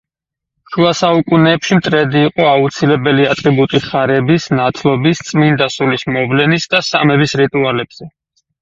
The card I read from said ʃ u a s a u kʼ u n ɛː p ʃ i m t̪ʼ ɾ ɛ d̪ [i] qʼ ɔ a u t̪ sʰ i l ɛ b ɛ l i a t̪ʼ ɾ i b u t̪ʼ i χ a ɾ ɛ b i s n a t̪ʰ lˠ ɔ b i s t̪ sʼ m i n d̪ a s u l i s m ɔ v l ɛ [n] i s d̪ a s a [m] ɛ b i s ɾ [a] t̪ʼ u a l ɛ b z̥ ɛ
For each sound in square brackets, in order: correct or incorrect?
incorrect: iː, correct, correct, incorrect: i

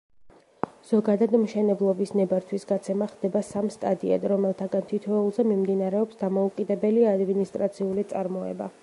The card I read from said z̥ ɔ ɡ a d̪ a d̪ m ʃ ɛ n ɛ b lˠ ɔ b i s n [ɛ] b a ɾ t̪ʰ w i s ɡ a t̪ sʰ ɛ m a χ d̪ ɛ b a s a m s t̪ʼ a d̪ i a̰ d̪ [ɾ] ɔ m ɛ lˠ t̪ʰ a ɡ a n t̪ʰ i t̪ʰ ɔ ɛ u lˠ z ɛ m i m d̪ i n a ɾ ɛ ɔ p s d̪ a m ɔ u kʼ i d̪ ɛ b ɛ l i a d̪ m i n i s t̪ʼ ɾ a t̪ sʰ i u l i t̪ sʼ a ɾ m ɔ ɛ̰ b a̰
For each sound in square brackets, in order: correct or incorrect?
correct, correct

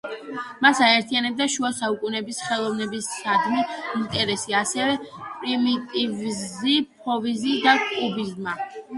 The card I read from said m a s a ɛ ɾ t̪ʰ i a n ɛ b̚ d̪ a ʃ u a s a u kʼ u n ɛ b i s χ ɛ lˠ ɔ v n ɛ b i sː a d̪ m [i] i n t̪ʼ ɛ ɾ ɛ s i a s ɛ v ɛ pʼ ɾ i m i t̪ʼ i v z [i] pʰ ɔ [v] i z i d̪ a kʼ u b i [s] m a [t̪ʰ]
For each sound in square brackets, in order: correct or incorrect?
correct, correct, correct, incorrect: z, incorrect: none

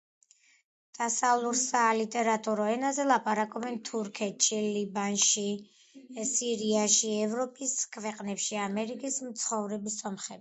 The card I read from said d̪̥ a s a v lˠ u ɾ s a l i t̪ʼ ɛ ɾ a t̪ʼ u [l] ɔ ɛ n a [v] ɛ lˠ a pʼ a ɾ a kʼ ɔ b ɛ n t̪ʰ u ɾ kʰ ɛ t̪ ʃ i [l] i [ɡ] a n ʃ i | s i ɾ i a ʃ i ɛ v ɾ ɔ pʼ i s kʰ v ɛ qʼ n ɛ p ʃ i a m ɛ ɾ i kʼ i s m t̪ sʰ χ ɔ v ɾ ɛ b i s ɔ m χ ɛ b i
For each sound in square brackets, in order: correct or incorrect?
incorrect: ɾ, incorrect: z, correct, incorrect: b

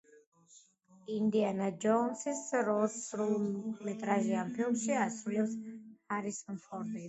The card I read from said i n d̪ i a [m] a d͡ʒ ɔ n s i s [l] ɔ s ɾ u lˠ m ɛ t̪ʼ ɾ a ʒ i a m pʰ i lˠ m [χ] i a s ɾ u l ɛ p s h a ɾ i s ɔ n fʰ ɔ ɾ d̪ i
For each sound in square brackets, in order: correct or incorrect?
incorrect: n, incorrect: ɾ, incorrect: ʃ

